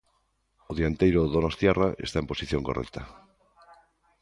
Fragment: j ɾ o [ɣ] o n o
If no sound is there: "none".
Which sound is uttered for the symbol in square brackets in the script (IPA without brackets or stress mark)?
ð